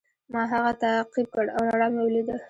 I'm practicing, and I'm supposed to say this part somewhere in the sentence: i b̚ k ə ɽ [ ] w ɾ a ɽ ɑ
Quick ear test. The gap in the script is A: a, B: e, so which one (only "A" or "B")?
A